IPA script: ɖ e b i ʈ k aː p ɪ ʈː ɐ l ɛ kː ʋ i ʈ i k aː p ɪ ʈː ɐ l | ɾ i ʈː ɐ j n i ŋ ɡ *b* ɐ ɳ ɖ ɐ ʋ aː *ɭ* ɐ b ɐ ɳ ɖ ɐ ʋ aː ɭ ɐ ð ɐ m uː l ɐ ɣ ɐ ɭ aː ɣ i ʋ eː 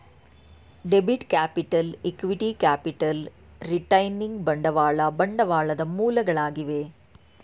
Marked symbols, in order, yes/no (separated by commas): yes, yes